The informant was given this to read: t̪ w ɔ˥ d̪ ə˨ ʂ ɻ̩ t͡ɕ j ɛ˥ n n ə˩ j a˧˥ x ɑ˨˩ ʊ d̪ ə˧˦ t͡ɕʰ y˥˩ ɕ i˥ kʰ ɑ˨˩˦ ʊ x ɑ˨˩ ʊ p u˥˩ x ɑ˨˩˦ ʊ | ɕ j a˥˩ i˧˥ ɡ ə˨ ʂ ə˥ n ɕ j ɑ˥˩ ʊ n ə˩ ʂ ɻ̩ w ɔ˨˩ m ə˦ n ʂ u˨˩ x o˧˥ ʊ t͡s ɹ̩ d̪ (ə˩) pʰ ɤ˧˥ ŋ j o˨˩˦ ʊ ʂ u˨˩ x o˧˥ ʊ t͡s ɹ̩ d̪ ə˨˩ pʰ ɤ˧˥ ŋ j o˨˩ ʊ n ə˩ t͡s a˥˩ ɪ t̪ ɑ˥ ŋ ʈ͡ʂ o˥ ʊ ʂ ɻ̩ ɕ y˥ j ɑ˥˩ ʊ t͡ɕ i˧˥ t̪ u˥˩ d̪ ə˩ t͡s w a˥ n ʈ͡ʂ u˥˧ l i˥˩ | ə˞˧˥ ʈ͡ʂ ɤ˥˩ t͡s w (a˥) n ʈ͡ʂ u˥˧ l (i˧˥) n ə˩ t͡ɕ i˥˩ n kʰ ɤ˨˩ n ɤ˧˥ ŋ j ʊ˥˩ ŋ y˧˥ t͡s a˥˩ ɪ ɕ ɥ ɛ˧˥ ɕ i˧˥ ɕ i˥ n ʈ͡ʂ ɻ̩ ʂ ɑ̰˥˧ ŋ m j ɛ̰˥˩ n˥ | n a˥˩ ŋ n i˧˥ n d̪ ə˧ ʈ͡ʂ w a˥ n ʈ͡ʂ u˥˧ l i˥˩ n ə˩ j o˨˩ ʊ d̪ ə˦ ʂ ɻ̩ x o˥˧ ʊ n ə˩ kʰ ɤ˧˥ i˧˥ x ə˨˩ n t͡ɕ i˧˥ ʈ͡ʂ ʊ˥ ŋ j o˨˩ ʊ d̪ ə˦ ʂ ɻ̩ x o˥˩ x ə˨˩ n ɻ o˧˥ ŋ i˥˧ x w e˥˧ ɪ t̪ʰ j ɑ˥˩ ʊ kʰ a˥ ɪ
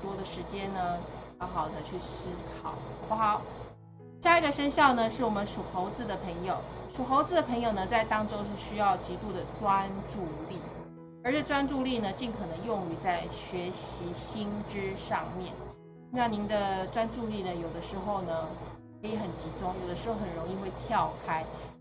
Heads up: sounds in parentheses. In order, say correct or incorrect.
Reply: correct, correct, incorrect: i˥˩

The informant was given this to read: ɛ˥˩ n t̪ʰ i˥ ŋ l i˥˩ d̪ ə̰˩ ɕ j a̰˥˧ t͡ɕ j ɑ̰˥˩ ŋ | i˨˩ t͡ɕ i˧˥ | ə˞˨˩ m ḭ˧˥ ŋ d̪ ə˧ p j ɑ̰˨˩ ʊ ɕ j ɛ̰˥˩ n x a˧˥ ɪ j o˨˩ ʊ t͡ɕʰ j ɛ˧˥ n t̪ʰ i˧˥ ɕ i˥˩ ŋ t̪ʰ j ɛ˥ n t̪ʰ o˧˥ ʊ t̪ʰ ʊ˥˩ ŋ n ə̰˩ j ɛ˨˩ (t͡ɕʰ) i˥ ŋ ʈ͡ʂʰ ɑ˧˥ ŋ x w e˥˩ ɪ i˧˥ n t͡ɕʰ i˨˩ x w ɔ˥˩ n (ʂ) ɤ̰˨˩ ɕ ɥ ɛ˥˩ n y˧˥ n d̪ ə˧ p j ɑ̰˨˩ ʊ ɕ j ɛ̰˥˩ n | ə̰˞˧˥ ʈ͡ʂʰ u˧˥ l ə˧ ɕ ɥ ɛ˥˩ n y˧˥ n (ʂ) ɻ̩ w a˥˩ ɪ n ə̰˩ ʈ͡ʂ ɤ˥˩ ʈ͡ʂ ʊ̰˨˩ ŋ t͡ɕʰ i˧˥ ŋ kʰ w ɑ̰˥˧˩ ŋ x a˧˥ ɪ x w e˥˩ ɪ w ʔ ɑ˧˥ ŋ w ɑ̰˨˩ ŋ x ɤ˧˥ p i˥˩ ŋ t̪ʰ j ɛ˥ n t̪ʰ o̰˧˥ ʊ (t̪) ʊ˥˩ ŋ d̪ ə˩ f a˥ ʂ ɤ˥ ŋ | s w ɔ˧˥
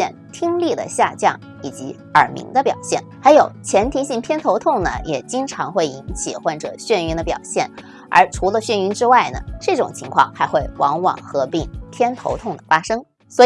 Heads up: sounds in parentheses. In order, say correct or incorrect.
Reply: incorrect: t͡ɕ, incorrect: ʈ͡ʂ, incorrect: ʈ͡ʂ, incorrect: t̪ʰ

